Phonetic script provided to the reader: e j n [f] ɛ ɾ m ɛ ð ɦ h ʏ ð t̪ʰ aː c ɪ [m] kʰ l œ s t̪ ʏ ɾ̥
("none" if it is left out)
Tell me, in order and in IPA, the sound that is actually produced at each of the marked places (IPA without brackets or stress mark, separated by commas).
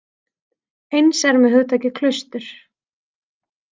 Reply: s, none